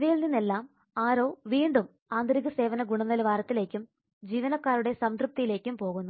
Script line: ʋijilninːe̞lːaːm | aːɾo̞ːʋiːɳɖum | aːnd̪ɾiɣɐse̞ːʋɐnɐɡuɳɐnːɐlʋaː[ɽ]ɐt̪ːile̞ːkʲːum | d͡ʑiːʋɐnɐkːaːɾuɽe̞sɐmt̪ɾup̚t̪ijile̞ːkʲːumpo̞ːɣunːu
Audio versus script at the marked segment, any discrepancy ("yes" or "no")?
yes